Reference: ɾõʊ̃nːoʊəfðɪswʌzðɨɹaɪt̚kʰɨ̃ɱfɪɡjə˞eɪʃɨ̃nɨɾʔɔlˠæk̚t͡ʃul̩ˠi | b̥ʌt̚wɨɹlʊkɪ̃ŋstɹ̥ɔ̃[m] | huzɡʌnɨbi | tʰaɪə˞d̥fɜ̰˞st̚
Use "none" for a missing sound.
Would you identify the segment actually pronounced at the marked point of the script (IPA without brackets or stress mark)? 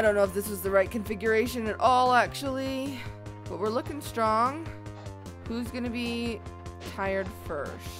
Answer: ŋ